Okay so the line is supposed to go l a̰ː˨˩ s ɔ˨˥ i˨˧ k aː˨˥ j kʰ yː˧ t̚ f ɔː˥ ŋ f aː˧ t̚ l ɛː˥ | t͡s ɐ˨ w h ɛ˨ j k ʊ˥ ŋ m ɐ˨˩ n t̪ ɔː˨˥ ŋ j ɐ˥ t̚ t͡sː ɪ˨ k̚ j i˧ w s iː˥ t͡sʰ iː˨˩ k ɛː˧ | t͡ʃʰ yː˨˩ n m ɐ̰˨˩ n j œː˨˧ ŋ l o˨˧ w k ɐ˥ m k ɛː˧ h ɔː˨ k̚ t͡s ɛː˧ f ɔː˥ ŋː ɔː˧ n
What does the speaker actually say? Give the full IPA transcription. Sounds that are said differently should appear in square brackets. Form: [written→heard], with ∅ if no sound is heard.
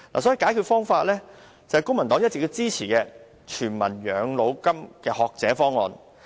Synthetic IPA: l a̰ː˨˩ s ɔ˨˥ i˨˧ k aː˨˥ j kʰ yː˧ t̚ f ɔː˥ ŋ f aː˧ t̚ l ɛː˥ | t͡s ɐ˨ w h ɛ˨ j k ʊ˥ ŋ m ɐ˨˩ n t̪ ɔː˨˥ ŋ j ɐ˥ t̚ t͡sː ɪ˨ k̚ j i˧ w [s→t͡s] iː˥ t͡sʰ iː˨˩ k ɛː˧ | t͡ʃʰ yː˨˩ n m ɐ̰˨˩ n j œː˨˧ ŋ l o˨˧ w k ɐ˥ m k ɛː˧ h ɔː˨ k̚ t͡s [ɛː˧→ɛː˨˥] f ɔː˥ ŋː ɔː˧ n